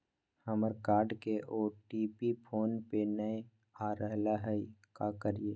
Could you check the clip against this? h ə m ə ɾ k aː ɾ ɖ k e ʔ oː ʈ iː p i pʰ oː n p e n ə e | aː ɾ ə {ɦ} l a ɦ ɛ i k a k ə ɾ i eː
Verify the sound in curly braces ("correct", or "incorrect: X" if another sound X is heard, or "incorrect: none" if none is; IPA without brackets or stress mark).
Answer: correct